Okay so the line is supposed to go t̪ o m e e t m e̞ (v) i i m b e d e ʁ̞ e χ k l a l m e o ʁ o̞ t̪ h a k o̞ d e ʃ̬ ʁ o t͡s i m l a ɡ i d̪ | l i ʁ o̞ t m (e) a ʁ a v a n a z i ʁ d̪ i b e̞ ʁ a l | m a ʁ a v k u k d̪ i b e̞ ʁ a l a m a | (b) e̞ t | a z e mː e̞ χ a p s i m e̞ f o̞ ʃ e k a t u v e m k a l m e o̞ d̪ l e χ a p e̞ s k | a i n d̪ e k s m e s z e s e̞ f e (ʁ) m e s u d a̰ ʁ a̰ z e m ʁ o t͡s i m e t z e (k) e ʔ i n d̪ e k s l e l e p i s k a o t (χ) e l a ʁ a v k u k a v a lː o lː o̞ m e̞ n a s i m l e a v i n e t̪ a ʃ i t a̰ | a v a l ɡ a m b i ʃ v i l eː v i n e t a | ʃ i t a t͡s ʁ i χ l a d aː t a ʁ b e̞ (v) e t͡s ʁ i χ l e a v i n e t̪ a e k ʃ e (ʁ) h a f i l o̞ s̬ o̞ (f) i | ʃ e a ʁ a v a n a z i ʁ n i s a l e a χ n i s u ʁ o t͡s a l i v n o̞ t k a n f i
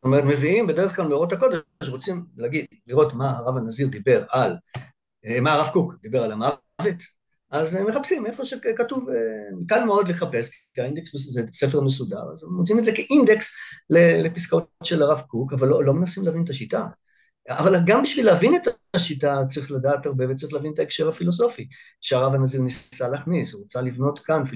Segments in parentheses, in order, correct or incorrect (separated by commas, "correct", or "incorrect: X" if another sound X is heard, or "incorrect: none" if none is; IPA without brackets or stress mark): correct, incorrect: a, incorrect: v, correct, correct, incorrect: ʃ, correct, correct, correct